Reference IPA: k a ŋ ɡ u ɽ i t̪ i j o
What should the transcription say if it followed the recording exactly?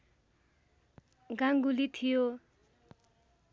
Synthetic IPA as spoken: ɡ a ŋ ɡ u l i t̪ʰ i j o